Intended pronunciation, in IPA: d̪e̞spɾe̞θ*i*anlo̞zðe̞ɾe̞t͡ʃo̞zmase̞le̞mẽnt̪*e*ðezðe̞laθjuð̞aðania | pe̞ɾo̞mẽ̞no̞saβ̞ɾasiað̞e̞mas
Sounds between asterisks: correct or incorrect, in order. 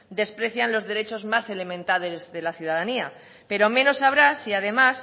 incorrect: j, incorrect: a

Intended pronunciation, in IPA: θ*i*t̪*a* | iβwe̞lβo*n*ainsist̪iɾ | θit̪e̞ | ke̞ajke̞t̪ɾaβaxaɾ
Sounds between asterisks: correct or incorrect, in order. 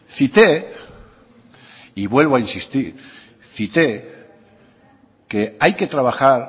correct, incorrect: e, incorrect: none

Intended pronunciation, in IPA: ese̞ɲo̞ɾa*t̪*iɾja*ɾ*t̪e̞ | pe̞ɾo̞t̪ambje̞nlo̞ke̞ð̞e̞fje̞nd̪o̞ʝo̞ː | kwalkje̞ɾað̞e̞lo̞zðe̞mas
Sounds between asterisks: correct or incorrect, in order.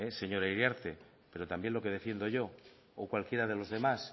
incorrect: none, correct

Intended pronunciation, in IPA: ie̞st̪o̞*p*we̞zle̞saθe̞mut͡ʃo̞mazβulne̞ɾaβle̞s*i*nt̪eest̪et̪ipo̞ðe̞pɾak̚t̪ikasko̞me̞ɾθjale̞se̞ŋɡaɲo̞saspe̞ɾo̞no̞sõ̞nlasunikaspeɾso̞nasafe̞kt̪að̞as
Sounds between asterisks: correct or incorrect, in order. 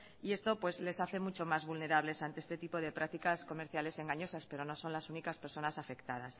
correct, incorrect: a

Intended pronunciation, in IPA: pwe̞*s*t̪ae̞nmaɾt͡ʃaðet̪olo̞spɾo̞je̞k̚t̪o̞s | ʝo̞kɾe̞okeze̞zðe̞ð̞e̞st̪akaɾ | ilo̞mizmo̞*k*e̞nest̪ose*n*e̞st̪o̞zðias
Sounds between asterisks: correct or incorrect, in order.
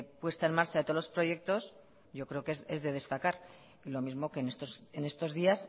correct, correct, correct

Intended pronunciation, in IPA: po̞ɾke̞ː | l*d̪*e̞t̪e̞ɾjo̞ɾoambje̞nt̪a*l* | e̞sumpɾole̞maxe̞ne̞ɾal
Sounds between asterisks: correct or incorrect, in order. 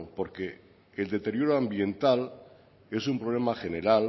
correct, correct

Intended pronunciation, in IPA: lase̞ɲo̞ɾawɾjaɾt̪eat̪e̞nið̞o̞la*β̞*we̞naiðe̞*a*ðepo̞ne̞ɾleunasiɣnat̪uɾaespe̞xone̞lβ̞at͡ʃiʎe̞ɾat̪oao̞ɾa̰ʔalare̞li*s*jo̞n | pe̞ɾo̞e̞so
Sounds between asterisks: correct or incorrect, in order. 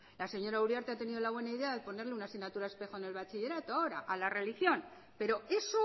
correct, correct, incorrect: x

